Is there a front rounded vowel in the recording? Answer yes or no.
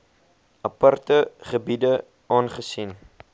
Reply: no